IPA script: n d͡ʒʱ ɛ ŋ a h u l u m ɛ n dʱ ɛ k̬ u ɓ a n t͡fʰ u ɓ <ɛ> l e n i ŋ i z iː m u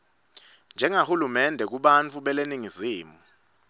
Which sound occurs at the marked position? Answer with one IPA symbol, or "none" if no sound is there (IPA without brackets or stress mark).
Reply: ɛ